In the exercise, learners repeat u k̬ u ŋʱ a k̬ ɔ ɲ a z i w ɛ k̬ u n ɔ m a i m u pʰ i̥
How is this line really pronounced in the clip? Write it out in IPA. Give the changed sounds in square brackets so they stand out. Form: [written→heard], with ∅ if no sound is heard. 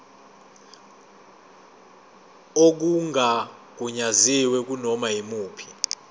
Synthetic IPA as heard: [u→o] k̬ u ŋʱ a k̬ [ɔ→u] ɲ a z i w ɛ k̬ u n ɔ m a i m [u→uː] pʰ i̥